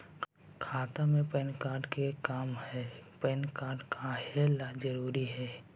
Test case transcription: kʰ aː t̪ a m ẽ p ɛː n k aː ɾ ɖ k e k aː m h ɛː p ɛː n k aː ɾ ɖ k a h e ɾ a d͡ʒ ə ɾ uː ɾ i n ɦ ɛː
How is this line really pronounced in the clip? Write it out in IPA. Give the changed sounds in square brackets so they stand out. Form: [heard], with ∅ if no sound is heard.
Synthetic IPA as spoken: kʰ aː t̪ a m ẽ p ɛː n k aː ɾ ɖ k e k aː m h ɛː p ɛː n k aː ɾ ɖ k a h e [l] a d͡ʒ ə ɾ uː ɾ i [∅] ɦ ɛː